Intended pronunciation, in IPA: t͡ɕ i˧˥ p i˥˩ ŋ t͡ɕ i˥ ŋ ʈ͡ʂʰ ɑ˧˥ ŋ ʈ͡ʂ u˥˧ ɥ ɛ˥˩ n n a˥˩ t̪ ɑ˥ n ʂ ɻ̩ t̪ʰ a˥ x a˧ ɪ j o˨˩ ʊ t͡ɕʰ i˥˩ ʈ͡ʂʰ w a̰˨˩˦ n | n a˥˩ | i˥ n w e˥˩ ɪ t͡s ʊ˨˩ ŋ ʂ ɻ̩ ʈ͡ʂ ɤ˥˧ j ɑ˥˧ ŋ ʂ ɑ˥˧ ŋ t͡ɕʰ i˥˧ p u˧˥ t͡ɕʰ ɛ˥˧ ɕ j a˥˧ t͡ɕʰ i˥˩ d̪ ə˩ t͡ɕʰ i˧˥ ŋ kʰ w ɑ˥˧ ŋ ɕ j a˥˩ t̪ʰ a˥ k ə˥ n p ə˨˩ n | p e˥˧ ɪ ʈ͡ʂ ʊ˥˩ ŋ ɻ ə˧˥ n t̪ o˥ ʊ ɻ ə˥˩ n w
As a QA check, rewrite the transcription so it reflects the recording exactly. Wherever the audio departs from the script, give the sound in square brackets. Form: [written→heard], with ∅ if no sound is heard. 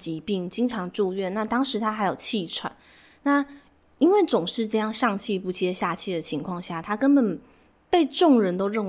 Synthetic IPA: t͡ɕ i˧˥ p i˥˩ ŋ t͡ɕ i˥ ŋ ʈ͡ʂʰ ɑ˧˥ ŋ ʈ͡ʂ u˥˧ ɥ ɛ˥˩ n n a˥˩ t̪ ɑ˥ [n→ŋ] ʂ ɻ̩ t̪ʰ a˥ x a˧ ɪ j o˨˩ ʊ t͡ɕʰ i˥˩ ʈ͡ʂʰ w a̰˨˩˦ n | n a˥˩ | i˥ n w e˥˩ ɪ t͡s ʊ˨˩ ŋ ʂ ɻ̩ ʈ͡ʂ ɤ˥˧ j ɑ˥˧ ŋ ʂ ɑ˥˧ ŋ t͡ɕʰ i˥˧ p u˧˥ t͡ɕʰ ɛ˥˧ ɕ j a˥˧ t͡ɕʰ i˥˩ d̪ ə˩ t͡ɕʰ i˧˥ ŋ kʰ w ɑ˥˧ ŋ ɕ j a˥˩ t̪ʰ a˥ k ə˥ n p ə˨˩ n | p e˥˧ ɪ ʈ͡ʂ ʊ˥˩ ŋ ɻ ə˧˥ n t̪ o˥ ʊ ɻ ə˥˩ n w